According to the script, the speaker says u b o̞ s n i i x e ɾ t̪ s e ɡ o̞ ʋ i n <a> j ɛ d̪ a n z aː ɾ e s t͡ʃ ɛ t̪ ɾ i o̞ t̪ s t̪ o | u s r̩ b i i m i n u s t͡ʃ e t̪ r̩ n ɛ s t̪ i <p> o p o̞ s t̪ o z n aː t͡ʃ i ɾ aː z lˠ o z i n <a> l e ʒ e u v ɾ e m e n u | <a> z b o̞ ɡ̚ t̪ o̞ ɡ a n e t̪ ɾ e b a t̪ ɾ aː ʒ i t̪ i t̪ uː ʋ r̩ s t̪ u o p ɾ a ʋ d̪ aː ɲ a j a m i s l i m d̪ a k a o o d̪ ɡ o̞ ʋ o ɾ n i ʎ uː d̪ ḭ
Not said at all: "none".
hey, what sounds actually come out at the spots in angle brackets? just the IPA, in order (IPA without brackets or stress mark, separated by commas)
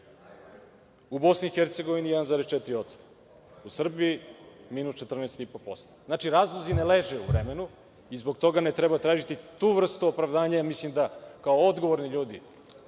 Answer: i, p, e, i